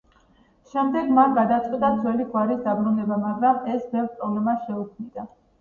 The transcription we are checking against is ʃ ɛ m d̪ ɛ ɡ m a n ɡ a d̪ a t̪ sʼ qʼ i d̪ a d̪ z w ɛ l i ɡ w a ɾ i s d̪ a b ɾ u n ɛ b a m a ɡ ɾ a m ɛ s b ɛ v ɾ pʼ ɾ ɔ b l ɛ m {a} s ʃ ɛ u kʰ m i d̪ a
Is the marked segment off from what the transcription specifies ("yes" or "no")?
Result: no